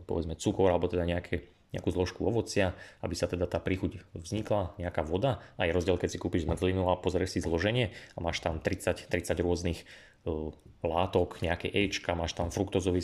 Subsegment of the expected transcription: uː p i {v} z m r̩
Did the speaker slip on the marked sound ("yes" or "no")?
yes